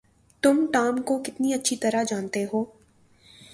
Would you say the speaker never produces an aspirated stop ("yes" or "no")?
yes